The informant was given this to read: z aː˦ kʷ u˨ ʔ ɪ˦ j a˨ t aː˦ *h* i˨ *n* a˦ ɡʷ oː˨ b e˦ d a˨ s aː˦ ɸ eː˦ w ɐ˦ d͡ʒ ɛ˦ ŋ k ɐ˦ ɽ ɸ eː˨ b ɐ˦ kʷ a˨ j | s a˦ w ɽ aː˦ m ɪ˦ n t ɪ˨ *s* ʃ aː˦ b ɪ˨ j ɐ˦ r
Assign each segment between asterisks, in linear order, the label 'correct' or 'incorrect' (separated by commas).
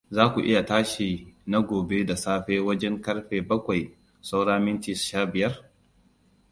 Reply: incorrect, correct, correct